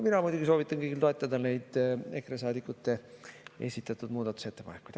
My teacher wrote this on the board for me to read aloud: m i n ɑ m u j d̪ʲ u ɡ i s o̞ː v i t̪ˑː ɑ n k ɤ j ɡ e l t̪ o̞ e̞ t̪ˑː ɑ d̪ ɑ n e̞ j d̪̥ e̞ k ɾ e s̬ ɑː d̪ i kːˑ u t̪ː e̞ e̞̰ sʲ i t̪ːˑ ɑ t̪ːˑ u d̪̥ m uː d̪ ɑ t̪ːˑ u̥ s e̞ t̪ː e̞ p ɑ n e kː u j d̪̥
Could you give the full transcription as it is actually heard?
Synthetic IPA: m i n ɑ m u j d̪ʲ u ɡ i s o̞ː v i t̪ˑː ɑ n k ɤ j ɡ i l t̪ o̞ e̞ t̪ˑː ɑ d̪ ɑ n e̞ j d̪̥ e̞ k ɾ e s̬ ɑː d̪ i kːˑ u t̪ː e̞ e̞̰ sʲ i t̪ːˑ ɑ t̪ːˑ u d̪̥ m uː d̪ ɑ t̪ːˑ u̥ s e̞ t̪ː e̞ p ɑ n e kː u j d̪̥